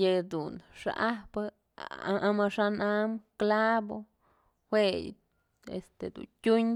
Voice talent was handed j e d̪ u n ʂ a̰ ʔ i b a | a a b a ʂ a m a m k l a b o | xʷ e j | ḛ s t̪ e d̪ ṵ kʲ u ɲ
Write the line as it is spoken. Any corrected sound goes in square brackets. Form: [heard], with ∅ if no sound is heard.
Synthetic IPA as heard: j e d̪ u n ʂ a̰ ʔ [a] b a | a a [m] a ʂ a [n] a m k l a b o | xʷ e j | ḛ s t̪ e d̪ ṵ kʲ u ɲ